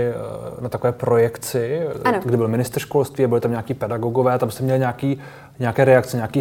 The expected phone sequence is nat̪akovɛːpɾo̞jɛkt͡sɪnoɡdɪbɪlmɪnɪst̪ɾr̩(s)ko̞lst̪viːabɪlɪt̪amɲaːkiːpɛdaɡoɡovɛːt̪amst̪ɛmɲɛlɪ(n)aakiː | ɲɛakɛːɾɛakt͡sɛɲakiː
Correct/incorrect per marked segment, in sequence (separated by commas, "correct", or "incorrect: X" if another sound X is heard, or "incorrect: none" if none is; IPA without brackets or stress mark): incorrect: ʃ, incorrect: ɲ